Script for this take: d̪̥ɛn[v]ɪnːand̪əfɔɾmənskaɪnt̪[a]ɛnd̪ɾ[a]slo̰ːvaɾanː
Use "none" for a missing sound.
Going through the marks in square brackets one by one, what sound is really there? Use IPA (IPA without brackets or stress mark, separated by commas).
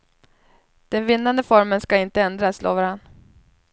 v, ə, a